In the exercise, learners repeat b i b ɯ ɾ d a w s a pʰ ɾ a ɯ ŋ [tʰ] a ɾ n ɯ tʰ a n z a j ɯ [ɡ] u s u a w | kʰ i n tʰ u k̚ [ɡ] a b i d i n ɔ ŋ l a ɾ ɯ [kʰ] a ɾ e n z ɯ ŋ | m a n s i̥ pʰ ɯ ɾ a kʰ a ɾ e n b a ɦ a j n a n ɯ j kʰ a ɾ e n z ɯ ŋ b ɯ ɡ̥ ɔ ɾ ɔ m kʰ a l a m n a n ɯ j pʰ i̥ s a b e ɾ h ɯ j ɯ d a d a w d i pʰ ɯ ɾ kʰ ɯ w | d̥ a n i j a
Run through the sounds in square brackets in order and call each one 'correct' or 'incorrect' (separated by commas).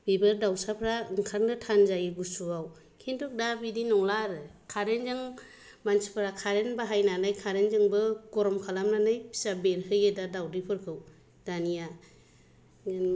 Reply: incorrect, correct, incorrect, correct